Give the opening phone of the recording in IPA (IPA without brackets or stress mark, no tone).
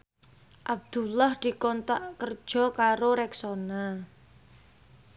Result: ʔ